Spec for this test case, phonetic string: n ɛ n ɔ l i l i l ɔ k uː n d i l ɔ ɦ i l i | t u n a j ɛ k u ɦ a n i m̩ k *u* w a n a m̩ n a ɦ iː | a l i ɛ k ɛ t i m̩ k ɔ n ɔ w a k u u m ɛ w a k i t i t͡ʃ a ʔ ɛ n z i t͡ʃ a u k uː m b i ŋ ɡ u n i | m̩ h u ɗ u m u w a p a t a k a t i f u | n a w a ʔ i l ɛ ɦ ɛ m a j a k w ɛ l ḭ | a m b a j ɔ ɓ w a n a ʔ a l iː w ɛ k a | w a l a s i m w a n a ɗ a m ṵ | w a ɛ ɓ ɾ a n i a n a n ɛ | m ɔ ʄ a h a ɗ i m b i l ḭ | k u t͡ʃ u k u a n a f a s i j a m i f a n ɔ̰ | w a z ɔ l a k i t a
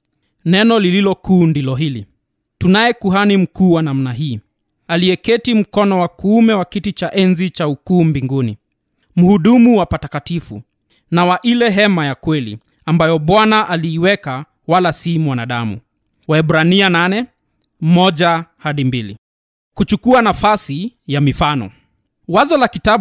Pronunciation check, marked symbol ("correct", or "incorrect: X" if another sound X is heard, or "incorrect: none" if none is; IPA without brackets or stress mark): incorrect: uː